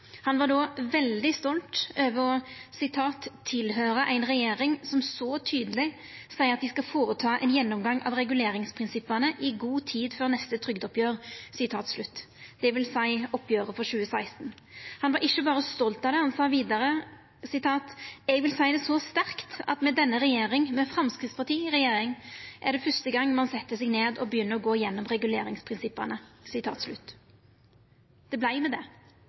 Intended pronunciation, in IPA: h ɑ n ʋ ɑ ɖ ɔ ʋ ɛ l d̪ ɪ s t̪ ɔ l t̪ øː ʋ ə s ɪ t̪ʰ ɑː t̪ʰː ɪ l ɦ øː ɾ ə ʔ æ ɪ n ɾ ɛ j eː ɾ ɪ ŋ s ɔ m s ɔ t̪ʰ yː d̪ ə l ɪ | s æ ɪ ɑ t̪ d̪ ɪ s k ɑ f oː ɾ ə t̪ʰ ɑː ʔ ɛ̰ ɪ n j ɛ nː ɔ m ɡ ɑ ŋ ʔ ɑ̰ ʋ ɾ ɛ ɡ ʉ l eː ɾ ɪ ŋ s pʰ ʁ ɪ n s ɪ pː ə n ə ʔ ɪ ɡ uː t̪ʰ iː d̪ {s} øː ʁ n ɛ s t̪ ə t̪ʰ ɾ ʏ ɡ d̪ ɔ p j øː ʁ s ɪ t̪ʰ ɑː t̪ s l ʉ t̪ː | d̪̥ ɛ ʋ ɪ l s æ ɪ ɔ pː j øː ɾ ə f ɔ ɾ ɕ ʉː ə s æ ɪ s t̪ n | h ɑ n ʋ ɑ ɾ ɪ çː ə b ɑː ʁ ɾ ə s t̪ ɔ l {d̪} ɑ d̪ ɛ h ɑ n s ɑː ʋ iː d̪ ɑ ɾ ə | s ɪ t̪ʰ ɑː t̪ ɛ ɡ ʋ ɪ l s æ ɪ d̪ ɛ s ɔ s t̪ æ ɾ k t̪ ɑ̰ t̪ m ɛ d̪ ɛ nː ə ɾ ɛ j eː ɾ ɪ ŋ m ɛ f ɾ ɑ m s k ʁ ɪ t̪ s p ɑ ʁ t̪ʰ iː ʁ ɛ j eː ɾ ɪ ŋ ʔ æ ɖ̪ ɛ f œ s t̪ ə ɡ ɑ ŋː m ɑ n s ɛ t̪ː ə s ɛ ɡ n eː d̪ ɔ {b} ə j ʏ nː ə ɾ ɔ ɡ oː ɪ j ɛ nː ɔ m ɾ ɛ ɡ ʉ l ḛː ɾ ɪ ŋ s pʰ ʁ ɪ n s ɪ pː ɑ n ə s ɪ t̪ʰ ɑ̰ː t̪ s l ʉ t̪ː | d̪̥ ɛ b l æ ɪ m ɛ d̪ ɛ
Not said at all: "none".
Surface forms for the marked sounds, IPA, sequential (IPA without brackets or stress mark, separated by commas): f, t̪, b